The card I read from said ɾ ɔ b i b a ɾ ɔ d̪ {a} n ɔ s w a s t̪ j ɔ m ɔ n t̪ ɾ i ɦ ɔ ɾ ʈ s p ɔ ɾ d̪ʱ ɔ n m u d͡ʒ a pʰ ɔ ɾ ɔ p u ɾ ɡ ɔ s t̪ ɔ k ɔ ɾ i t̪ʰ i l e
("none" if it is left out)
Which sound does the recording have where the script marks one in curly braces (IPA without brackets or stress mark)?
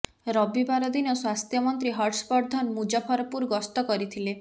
i